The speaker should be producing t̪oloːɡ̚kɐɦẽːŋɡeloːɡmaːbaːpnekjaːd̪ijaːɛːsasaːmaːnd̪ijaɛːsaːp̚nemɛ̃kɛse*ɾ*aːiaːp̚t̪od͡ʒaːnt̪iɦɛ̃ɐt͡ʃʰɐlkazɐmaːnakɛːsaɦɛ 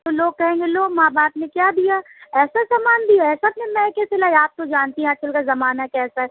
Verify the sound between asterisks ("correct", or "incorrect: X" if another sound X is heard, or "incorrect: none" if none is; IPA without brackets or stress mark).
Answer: incorrect: l